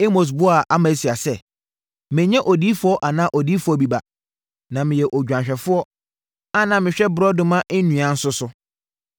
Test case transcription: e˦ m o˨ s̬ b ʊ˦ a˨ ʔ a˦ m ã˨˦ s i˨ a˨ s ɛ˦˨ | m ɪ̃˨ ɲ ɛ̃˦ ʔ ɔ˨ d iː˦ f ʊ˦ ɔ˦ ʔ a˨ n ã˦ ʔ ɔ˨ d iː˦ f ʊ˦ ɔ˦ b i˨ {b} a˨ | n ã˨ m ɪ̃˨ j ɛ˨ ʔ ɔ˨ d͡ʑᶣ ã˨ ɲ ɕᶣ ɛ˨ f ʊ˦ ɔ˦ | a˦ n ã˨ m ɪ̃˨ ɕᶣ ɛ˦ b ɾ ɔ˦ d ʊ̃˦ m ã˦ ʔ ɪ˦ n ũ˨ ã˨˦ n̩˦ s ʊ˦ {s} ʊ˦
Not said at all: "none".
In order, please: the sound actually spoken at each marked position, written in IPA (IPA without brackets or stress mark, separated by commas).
b, s